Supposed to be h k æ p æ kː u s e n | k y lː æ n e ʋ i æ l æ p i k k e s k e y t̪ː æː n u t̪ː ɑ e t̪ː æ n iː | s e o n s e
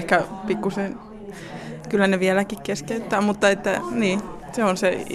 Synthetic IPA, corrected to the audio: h k æ p i kː u s e n | k y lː æ n e ʋ i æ l æ k i k k e s k e y t̪ː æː m u t̪ː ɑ e t̪ː æ n iː | s e o n s e